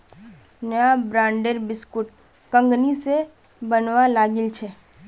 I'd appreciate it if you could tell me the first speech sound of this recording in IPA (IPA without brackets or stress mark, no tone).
n